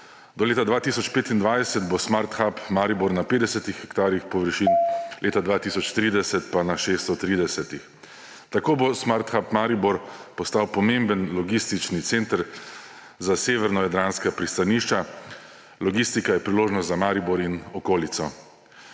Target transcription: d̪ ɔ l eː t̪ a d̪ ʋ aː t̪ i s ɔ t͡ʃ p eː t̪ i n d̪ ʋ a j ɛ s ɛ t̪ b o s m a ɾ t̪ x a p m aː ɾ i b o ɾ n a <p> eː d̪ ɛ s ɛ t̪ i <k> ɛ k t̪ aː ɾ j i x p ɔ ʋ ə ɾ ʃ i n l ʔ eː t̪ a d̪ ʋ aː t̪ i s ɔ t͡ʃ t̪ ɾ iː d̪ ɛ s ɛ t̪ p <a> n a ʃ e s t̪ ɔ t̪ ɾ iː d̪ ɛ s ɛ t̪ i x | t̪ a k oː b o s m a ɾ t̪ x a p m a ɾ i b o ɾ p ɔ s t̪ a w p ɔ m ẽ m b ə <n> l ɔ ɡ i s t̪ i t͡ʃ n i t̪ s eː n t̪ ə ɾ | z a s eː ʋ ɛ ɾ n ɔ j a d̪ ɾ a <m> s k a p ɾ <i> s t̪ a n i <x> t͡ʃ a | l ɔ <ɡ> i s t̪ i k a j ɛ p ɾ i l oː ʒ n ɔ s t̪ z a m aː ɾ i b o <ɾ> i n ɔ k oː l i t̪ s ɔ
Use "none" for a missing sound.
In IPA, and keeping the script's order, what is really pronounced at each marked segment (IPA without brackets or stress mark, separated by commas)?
p, x, a, n, n, i, ʃ, ɡ, ɾ